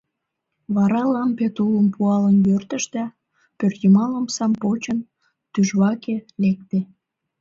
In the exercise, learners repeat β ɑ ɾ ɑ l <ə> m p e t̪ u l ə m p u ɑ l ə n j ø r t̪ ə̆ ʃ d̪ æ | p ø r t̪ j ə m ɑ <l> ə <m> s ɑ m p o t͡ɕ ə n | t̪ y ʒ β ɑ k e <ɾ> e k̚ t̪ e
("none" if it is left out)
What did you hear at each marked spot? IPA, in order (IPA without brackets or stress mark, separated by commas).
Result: ɑ, l, m, l